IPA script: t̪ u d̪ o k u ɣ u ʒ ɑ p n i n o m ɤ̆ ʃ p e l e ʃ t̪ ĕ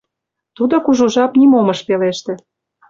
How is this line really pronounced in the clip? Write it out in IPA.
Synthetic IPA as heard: t̪ u d̪ o k u ʒ u ʒ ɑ p n i m o m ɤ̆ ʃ p e l e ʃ t̪ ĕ